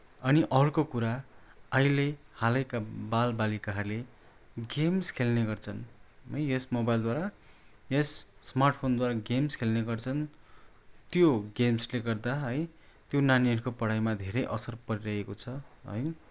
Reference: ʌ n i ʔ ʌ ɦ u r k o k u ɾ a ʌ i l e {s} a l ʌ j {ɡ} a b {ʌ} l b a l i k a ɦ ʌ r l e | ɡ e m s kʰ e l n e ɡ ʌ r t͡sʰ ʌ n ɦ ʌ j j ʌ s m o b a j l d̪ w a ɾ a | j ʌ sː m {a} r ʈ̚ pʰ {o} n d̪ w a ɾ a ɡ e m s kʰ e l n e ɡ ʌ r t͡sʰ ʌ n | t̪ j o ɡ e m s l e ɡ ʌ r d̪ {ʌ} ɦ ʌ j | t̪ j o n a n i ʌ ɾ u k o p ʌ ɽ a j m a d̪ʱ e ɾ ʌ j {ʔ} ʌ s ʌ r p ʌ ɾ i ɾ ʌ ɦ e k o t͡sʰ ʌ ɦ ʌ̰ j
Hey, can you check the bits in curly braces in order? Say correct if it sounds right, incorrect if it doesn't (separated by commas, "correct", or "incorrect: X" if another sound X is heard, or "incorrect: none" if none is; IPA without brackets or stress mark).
incorrect: h, incorrect: k, incorrect: a, correct, correct, incorrect: a, correct